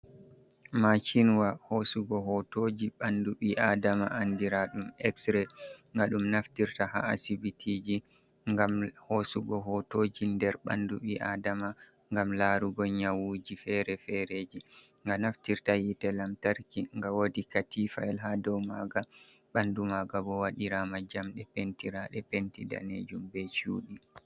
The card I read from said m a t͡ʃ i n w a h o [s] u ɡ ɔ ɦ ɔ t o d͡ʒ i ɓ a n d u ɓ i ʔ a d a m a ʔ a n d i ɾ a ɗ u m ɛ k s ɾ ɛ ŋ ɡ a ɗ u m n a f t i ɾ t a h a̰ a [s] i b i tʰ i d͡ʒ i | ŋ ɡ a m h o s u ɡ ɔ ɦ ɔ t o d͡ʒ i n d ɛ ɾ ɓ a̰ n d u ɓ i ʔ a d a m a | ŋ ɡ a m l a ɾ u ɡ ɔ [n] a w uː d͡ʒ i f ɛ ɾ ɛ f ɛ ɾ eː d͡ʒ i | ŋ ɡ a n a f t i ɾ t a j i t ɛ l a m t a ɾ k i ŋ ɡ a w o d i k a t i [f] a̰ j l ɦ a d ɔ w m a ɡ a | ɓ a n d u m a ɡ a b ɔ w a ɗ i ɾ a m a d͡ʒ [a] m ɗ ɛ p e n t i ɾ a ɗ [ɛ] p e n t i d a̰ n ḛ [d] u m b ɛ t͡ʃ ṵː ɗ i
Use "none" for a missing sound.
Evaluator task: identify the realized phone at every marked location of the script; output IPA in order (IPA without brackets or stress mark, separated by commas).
s, s, ɲ, f, a, ɛ, d͡ʒ